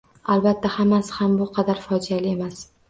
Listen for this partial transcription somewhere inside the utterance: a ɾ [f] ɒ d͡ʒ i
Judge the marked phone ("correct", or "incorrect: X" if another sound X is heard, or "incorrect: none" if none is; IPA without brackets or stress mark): correct